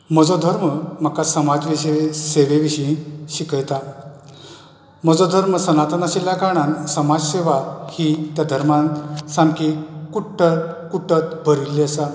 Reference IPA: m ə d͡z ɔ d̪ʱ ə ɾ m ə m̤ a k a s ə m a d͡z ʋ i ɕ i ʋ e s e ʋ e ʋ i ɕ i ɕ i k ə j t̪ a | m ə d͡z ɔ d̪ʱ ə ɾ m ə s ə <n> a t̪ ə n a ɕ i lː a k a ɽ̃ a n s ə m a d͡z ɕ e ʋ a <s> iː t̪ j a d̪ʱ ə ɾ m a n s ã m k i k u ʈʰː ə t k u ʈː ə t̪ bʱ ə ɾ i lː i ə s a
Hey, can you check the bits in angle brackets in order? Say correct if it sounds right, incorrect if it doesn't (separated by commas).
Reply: correct, incorrect